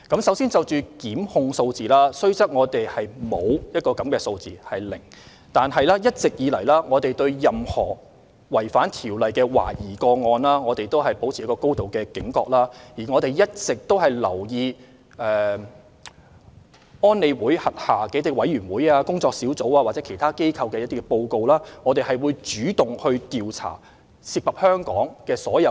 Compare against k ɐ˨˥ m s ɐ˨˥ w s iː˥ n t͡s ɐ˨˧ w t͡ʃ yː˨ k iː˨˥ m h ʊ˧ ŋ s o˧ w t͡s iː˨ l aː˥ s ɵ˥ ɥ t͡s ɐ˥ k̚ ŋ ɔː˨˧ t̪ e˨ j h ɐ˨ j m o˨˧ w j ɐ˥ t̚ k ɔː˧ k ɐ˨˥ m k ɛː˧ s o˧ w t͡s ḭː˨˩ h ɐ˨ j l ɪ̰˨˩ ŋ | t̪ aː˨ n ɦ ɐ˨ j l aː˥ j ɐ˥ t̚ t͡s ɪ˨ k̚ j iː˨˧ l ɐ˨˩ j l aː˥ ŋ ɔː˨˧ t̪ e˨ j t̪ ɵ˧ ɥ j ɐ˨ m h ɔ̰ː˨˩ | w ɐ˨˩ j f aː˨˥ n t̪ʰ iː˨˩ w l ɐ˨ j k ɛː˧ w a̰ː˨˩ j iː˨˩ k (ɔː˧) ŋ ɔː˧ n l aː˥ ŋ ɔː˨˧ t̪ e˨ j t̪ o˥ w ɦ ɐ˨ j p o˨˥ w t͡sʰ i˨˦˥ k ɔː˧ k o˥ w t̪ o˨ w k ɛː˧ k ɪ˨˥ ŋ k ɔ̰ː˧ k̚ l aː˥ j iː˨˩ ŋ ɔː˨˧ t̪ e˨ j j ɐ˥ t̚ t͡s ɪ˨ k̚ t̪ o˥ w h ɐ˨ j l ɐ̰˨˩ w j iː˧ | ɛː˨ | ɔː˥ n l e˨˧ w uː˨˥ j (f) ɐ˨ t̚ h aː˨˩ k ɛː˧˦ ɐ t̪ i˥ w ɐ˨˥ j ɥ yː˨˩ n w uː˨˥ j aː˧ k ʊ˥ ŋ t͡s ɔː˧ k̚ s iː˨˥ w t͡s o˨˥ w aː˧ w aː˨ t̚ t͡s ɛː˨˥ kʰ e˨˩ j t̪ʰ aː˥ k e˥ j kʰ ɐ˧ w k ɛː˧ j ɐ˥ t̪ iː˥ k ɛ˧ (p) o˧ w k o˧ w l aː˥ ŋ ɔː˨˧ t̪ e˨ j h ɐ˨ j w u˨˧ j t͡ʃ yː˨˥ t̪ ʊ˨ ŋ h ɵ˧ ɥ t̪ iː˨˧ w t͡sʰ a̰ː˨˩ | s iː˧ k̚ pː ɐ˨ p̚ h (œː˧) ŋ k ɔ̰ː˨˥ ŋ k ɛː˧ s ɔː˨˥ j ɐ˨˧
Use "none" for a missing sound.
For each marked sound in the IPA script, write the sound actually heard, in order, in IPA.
ɔː˧, h, p, œː˥

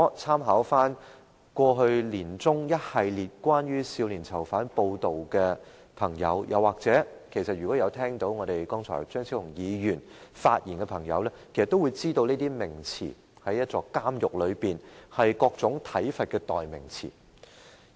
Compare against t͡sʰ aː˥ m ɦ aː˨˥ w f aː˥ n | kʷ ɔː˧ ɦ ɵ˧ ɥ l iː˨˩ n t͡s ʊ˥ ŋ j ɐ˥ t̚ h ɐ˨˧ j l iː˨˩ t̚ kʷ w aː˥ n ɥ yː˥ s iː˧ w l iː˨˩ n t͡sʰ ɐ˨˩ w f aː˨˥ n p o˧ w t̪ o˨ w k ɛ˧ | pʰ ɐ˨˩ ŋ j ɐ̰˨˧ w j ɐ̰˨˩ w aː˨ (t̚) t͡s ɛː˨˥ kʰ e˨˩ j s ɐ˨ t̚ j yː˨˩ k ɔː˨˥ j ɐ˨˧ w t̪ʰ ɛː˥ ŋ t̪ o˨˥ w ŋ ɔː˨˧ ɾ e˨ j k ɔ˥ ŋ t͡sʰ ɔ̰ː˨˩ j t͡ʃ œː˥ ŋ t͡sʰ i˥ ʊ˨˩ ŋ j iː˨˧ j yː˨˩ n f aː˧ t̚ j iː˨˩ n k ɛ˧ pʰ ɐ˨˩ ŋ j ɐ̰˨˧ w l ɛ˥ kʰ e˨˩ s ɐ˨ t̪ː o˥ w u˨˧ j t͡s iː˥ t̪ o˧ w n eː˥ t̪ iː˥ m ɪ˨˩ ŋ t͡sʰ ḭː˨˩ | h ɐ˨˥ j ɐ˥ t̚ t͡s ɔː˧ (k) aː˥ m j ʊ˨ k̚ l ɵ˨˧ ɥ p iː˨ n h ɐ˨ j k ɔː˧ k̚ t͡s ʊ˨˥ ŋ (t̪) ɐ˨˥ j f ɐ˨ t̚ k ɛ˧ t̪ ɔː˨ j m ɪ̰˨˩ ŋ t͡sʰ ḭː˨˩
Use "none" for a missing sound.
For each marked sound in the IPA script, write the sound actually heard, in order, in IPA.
k̚, k, t̪ʰ

